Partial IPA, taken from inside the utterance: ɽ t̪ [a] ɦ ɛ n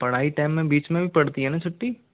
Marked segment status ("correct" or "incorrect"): incorrect